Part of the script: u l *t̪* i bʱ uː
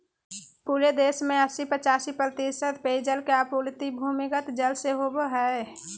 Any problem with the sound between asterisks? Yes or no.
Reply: no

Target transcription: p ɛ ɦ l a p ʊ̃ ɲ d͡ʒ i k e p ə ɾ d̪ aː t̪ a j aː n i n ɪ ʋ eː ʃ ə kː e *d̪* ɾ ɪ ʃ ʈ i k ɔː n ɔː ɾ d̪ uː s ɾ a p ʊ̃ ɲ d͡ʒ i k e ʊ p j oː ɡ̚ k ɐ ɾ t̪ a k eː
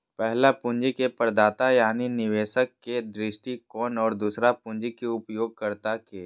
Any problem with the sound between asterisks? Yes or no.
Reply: no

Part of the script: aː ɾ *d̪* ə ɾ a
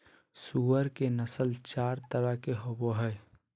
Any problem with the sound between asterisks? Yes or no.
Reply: yes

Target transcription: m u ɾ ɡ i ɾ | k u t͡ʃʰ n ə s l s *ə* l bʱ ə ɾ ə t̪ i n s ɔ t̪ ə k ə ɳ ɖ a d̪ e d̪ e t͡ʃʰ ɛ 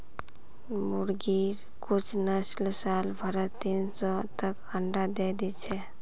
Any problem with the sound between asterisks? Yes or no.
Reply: yes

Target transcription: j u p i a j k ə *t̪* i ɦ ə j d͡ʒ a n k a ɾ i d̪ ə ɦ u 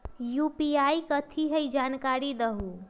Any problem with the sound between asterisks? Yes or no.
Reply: yes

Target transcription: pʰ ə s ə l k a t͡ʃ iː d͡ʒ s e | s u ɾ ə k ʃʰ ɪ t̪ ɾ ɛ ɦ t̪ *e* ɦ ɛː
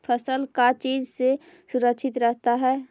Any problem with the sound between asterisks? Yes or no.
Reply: yes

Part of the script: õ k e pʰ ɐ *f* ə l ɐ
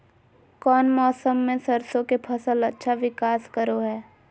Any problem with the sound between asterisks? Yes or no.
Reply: yes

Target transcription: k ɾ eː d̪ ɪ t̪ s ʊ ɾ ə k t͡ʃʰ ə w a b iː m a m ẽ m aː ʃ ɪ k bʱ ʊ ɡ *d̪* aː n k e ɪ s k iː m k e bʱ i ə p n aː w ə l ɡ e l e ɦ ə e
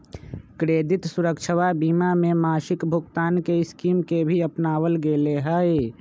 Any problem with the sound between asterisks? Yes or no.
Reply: yes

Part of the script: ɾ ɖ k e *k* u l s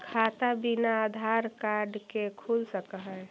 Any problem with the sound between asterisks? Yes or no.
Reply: yes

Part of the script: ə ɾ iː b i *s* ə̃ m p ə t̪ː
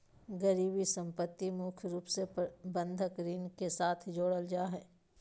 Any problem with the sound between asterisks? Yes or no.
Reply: no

